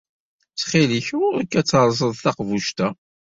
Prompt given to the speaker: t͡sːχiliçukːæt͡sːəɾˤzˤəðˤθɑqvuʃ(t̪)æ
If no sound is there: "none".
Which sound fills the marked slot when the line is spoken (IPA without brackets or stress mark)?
t̪